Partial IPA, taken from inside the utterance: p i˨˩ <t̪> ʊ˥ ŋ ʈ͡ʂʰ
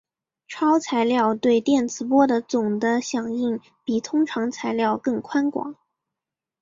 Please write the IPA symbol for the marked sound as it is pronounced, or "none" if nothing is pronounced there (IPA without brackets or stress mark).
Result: t̪ʰ